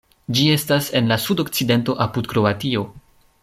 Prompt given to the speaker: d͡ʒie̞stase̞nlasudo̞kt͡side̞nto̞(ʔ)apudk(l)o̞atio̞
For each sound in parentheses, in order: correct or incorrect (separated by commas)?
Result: correct, incorrect